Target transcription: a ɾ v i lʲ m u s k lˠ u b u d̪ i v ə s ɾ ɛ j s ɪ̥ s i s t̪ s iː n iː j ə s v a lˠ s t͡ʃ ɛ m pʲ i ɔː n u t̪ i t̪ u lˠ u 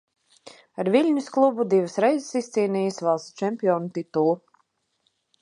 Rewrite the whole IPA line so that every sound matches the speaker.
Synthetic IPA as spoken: a ɾ v i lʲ ɲ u s k lˠ u b u d̪ i v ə s ɾ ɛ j z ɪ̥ s i s t̪ s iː n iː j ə s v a lˠ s t͡ʃ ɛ m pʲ i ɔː n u t̪ i t̪ u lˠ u